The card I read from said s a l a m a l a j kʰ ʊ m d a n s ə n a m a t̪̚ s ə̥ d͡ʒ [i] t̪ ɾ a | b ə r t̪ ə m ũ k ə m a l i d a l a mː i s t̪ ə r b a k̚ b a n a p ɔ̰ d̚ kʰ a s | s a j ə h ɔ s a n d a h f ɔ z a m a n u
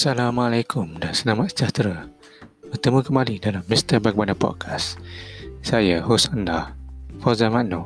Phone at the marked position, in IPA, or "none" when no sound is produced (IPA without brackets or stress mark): a